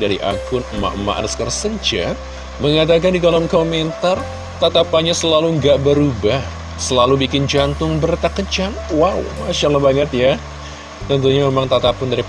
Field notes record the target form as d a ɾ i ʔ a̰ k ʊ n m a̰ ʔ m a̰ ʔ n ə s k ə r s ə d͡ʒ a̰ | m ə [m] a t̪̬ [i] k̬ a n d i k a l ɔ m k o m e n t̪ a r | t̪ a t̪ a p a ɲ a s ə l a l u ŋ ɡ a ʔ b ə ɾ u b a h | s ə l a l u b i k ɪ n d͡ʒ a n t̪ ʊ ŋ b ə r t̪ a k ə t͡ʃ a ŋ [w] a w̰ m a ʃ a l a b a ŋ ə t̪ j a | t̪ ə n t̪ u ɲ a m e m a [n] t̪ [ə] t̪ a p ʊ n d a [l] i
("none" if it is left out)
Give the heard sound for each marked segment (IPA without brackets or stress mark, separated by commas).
ŋ, a, w, ŋ, a, ɾ